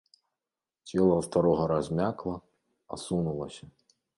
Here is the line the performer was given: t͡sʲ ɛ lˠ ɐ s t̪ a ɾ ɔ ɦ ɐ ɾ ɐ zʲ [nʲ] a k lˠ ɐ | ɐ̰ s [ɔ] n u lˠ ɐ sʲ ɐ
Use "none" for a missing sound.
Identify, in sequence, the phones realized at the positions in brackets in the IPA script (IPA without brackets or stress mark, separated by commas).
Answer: mʲ, u